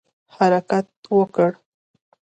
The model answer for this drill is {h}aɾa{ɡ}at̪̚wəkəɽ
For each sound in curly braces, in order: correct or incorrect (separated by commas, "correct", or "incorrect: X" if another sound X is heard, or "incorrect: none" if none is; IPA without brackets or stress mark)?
correct, incorrect: k